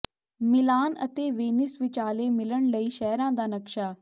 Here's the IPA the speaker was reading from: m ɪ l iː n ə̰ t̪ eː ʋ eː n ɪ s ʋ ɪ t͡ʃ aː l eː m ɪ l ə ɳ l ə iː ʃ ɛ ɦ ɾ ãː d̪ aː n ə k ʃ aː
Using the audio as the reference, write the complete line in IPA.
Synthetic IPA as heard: m ɪ l aː n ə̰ t̪ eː ʋ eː n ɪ s ʋ ɪ t͡ʃ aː l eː m ɪ l ə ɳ l ə iː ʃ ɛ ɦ ɾ ãː d̪ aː n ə k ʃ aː